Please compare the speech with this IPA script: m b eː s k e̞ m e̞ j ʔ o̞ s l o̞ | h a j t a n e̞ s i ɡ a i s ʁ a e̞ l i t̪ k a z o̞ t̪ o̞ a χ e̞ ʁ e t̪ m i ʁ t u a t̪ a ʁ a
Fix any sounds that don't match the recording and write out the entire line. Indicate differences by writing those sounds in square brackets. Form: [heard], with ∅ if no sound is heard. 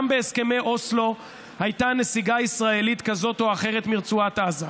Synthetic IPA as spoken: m b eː s k e̞ m e̞ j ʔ o̞ s l o̞ | h a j t a n e̞ s i ɡ a i s ʁ a e̞ l i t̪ k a z o̞ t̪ o̞ a χ e̞ ʁ e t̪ m i ʁ [t͡s] u a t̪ a [z] a